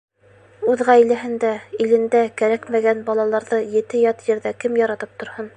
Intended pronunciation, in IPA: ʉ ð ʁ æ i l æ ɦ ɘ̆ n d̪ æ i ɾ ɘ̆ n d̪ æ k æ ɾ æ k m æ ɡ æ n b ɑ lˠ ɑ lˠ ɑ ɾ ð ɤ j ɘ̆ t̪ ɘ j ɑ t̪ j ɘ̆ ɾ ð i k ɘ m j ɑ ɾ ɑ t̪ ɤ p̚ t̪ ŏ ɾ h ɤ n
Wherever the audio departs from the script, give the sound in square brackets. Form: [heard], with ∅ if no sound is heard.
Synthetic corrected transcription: ʉ ð ʁ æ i l æ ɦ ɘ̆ n d̪ æ i [l] ɘ̆ n d̪ æ k æ ɾ æ k m æ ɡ æ n b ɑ lˠ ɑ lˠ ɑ ɾ ð ɤ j ɘ̆ t̪ ɘ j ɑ t̪ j ɘ̆ ɾ ð [æ] k ɘ m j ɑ ɾ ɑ t̪ ɤ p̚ t̪ ŏ ɾ h ɤ n